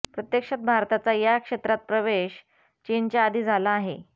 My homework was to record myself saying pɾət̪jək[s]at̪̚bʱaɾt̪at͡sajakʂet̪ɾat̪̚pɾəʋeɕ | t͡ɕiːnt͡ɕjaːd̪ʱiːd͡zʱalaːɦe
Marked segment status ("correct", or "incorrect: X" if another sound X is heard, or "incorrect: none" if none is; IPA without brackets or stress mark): incorrect: ʂ